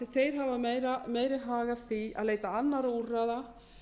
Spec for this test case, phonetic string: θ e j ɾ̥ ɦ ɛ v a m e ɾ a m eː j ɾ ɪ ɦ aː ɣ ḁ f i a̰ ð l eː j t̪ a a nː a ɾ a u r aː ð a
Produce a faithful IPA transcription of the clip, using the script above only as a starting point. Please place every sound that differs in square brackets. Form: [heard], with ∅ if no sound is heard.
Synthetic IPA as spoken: θ e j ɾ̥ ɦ [a] v a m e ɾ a m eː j ɾ ɪ ɦ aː ɣ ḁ [θ] i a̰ ð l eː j t̪ a a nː a ɾ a u r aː ð a